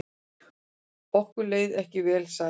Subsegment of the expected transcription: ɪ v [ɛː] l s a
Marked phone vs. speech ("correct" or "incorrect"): correct